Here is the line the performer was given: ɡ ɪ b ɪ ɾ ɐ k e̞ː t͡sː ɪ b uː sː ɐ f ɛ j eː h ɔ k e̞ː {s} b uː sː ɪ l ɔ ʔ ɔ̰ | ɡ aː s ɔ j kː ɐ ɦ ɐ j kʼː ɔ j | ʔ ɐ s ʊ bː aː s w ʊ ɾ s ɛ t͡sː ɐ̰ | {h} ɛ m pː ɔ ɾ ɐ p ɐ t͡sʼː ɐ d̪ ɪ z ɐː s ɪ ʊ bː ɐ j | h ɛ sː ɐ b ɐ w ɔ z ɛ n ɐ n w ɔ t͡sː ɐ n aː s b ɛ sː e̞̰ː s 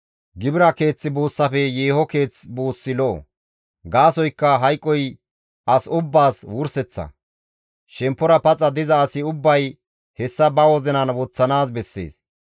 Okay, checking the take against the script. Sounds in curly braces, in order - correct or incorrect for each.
incorrect, incorrect

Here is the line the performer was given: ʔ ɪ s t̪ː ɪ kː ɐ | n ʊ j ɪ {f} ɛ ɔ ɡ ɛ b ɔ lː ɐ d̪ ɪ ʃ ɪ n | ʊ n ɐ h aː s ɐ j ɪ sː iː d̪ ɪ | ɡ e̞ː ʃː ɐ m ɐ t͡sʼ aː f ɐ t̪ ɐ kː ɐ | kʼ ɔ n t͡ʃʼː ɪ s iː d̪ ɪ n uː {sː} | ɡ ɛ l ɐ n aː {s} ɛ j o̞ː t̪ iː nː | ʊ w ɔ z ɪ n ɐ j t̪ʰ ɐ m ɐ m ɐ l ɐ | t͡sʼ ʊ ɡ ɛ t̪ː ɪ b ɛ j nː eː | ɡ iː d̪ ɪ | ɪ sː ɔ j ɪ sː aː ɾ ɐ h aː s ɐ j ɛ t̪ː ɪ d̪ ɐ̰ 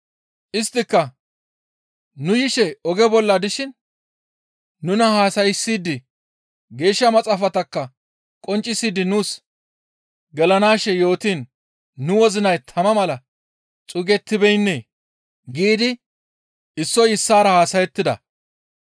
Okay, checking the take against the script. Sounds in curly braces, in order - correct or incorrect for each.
incorrect, incorrect, incorrect

